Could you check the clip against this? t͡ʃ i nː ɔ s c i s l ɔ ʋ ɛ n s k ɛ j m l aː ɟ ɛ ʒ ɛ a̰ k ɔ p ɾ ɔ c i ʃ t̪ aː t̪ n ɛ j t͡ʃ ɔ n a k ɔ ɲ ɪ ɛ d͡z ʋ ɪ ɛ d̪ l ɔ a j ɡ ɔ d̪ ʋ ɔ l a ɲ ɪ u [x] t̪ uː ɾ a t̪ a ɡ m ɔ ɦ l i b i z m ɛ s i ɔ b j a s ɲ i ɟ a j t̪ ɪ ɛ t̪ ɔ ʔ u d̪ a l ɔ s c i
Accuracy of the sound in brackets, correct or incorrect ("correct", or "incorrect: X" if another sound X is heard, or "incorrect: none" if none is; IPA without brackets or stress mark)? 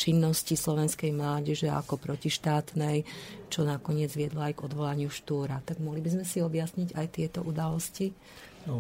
incorrect: ʃ